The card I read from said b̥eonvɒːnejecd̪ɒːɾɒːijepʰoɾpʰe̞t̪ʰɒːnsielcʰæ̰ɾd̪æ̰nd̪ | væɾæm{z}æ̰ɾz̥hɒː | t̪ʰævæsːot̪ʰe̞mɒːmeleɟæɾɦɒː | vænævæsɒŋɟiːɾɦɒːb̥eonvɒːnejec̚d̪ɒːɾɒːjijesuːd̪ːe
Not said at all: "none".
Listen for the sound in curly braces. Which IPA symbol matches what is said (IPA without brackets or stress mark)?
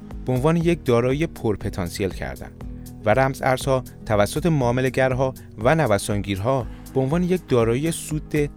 z